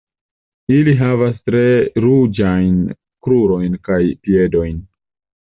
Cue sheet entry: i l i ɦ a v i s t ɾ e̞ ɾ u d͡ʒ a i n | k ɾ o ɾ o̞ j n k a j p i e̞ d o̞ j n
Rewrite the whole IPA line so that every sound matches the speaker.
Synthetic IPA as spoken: i l i ɦ a v a s t ɾ e̞ ɾ u d͡ʒ a j n | k ɾ u ɾ o̞ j n k a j p i e̞ d o̞ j n